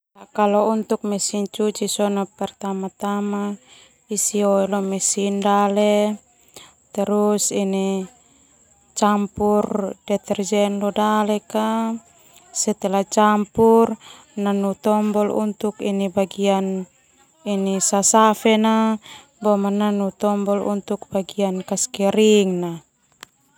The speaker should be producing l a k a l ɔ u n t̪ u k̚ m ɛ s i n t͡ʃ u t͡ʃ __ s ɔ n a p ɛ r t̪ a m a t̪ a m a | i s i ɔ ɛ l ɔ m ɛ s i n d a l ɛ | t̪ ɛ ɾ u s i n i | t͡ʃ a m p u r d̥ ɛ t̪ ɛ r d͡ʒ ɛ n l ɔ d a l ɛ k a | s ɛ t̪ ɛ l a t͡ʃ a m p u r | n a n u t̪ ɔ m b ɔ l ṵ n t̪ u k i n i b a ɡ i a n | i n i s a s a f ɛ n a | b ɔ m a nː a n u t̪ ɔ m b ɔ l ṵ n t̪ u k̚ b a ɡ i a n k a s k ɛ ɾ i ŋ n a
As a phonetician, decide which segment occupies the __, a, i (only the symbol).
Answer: i